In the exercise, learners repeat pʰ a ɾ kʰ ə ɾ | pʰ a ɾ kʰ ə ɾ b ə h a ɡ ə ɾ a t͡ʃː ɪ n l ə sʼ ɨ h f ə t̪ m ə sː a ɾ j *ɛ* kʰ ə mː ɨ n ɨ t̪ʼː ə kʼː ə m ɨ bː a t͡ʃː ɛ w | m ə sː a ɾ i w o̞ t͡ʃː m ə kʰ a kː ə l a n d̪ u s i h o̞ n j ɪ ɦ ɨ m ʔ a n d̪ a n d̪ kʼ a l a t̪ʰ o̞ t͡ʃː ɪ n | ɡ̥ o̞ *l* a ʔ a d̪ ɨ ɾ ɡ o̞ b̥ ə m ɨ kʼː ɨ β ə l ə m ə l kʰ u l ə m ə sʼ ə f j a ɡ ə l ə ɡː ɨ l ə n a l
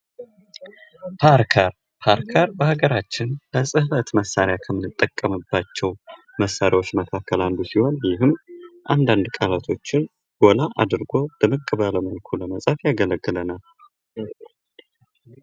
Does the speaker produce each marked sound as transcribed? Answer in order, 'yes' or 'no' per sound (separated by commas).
no, yes